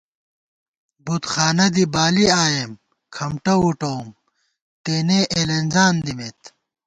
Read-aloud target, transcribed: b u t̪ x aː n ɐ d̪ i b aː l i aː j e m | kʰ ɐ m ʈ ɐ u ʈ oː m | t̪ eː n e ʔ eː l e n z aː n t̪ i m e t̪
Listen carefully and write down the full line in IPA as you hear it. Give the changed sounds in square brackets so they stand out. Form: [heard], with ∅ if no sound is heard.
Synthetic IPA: b u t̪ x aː n ɐ d̪ i b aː l i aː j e m | kʰ ɐ m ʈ ɐ u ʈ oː m | t̪ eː n e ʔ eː l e n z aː n [d̪] i m e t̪